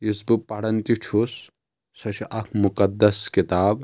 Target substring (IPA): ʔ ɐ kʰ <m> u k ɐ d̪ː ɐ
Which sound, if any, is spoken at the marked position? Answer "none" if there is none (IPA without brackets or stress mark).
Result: m